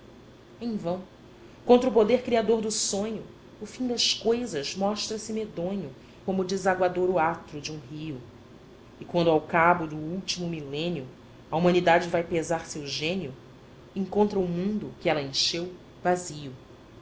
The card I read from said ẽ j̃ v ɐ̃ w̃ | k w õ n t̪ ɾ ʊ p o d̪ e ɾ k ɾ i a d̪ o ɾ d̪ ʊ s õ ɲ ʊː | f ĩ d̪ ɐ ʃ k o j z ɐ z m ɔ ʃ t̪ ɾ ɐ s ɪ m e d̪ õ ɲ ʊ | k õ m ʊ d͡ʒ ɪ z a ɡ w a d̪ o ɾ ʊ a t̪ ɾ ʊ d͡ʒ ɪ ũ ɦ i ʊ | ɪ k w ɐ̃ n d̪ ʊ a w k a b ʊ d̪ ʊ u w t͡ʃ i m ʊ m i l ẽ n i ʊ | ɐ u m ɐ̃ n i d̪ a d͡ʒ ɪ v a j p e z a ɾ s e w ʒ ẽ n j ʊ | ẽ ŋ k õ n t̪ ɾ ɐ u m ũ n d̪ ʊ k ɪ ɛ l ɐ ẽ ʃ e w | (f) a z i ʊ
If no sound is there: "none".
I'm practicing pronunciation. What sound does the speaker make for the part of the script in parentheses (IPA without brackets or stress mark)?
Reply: v